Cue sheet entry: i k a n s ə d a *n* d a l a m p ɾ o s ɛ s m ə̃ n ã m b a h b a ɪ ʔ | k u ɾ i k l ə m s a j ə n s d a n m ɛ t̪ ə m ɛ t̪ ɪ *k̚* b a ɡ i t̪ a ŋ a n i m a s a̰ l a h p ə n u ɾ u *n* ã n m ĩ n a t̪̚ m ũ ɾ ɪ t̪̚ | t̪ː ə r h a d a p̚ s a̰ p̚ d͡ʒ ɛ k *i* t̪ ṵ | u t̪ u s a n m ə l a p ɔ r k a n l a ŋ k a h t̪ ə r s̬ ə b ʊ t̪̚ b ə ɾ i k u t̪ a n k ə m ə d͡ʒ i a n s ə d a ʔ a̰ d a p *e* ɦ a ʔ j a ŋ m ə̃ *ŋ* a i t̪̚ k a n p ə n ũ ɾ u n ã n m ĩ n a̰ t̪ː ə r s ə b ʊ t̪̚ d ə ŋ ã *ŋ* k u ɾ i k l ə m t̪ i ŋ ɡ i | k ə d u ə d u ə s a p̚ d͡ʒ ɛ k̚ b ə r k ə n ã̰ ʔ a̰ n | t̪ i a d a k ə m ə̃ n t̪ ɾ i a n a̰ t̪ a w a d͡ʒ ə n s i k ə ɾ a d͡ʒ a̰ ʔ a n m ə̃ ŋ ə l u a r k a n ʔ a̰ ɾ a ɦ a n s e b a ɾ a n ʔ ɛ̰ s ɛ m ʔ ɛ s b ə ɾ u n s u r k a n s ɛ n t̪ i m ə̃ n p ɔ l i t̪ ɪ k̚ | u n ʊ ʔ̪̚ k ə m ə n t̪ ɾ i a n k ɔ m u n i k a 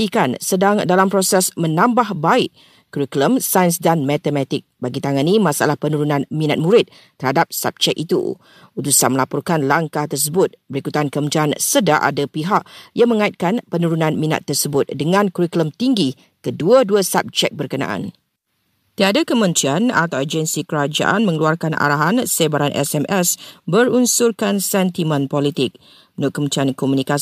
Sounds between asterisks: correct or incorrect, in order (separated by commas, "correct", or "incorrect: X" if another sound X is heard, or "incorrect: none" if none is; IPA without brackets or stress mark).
incorrect: ŋ, correct, correct, correct, incorrect: i, correct, incorrect: n